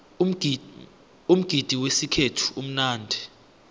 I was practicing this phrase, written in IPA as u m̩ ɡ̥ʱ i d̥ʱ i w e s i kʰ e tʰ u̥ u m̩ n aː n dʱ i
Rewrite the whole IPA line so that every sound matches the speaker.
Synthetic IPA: u m̩ ɡ̥ʱ i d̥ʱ i w e s i kʰ e tʰ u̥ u m̩ n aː n dʱ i